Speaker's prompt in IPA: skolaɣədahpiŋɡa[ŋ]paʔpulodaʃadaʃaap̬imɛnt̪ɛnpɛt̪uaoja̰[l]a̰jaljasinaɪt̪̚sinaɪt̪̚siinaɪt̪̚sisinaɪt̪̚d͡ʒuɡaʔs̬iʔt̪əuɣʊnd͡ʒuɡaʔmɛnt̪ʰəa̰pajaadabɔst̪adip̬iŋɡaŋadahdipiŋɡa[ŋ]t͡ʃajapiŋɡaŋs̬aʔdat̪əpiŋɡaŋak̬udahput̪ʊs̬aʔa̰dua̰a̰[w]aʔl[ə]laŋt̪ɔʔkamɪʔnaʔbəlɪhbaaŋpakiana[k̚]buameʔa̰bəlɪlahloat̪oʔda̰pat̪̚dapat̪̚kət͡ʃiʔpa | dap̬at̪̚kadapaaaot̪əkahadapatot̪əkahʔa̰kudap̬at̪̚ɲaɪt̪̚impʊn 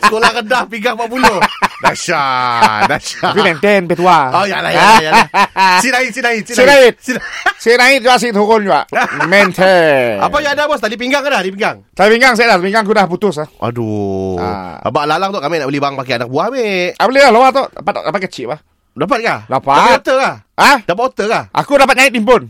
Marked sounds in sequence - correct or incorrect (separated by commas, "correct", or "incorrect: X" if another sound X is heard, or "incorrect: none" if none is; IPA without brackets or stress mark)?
correct, correct, correct, incorrect: b, incorrect: a, correct